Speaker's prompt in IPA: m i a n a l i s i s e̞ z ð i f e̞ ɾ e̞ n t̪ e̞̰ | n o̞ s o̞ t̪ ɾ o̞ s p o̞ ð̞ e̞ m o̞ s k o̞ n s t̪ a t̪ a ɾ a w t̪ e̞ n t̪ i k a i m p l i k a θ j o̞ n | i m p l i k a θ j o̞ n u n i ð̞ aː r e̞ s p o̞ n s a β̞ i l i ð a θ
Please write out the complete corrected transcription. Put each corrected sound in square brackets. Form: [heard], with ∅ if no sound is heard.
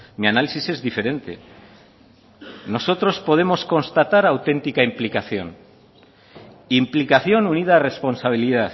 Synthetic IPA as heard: m i a n a l i s i s e̞ z ð i f e̞ ɾ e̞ n t̪ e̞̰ | n o̞ s o̞ t̪ ɾ o̞ s p o̞ ð̞ e̞ m o̞ s k o̞ n s t̪ a t̪ a ɾ a w t̪ e̞ n t̪ i k a i m p l i k a θ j o̞ n | i m p l i k a θ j o̞ n u n i ð̞ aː r e̞ s p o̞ n s a β̞ i l i ð a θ